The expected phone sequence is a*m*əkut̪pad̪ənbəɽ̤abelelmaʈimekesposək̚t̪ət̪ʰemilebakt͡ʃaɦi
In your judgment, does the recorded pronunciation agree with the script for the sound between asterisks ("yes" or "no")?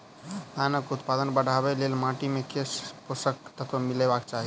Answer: no